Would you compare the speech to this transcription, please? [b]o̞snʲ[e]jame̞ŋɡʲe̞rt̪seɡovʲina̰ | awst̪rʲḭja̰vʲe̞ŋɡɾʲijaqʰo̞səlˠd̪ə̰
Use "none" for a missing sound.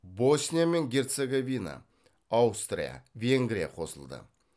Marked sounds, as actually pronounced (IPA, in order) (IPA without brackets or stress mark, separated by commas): b, i